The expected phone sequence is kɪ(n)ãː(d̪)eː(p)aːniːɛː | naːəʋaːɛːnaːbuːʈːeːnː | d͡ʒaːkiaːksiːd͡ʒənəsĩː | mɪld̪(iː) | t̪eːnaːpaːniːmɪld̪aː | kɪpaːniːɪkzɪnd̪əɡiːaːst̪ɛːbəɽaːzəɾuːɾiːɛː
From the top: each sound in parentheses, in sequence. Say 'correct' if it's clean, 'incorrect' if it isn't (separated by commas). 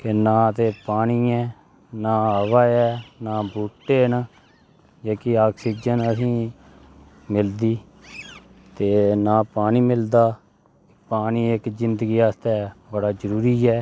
correct, incorrect, correct, correct